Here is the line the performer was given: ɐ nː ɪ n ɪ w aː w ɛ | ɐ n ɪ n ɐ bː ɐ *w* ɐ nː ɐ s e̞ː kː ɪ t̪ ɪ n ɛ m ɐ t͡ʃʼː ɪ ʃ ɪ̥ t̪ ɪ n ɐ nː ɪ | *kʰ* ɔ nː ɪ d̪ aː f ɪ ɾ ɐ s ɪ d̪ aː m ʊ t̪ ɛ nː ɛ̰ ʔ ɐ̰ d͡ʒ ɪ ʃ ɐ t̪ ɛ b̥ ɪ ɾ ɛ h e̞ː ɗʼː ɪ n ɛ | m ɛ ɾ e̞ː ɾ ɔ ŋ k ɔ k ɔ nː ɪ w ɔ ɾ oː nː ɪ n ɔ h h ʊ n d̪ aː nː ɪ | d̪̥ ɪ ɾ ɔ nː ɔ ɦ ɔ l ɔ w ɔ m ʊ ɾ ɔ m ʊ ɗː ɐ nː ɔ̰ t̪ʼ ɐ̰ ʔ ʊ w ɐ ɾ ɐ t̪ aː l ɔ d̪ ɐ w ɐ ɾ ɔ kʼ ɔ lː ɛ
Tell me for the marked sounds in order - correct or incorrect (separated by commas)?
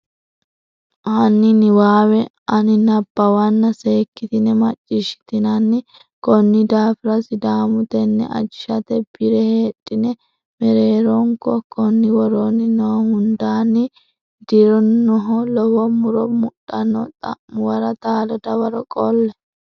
correct, incorrect